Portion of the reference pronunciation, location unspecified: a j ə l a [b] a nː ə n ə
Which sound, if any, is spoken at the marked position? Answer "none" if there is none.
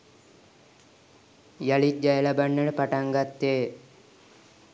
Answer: b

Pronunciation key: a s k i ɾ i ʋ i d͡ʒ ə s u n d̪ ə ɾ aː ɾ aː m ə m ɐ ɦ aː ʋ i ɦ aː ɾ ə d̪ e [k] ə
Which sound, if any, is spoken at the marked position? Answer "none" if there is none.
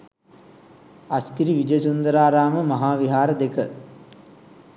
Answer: k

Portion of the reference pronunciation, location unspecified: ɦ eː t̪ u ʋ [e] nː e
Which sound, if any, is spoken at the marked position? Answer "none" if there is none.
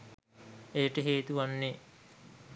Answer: a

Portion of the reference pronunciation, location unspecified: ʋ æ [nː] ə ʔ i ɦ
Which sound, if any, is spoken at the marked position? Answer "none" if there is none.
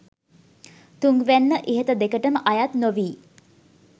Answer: nː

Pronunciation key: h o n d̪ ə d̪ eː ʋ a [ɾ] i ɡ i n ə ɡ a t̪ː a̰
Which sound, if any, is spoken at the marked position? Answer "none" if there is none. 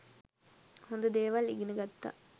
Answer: l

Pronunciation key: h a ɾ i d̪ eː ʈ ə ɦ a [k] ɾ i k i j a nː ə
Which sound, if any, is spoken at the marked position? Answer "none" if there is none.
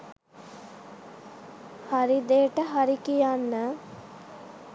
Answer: none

